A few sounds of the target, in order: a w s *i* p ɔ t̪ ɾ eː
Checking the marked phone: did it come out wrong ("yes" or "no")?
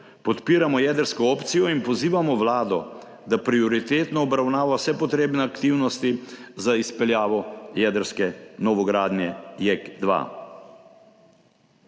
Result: yes